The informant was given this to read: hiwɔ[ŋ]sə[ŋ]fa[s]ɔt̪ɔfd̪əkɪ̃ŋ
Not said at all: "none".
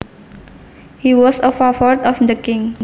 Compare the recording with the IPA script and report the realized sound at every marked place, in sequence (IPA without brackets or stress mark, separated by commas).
none, none, f